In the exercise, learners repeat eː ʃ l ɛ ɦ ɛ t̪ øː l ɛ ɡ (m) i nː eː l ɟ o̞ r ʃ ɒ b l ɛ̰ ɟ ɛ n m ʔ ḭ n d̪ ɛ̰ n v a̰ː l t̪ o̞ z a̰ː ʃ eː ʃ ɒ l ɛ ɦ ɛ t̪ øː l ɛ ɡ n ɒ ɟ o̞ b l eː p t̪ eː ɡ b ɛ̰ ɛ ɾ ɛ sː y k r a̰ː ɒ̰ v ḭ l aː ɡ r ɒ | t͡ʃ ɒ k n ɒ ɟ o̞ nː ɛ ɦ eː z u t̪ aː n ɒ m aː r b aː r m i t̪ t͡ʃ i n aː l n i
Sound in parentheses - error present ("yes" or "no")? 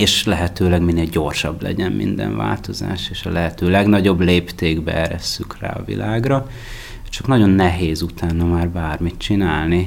no